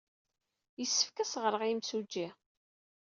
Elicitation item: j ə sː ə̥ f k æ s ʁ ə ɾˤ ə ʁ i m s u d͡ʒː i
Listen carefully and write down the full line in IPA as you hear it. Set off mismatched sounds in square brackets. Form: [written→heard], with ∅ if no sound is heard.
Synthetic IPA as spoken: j ə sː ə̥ f k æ s ʁ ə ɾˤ ə ʁ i m s u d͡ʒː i